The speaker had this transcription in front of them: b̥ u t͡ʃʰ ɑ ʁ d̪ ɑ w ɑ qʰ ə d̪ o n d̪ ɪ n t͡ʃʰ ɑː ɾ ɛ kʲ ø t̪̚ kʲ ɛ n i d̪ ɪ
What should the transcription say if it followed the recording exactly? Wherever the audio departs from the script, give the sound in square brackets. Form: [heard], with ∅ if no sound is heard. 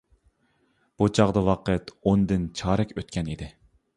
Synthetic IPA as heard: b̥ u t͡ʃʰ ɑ ʁ d̪ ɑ w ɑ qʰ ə [t̪] o n d̪ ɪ n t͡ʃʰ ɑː ɾ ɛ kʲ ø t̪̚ kʲ ɛ n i d̪ ɪ